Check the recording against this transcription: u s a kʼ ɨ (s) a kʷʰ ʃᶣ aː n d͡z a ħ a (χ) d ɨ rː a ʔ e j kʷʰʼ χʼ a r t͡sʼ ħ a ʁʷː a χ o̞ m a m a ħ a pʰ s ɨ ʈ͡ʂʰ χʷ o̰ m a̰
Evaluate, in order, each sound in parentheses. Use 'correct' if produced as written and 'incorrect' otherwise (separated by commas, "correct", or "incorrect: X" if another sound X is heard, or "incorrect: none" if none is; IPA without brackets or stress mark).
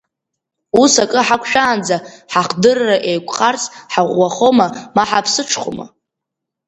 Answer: incorrect: ħ, correct